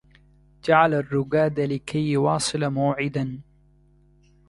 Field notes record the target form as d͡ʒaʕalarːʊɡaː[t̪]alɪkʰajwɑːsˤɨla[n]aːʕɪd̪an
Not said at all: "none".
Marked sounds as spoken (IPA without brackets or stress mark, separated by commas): d̪, m